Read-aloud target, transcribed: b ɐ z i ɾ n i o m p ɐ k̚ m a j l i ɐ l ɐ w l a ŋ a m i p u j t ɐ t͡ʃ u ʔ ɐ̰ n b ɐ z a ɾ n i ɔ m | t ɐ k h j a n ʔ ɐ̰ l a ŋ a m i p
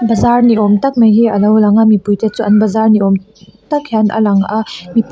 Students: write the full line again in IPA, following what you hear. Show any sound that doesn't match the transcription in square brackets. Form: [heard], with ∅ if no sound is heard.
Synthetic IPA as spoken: b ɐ z [a] ɾ n i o m [t] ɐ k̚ m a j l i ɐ l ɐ w l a ŋ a m i p u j t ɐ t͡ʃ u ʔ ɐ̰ n b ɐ z a ɾ n i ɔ m | t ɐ k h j a n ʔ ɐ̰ l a ŋ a m i p